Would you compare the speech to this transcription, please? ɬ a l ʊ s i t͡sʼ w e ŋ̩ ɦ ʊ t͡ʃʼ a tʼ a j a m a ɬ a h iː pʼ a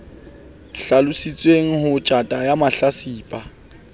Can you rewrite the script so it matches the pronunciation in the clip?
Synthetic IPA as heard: ɬ a l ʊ s i t͡sʼ w e ŋ̩ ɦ ʊ t͡ʃʼ a tʼ a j a m a ɬ a s iː pʼ a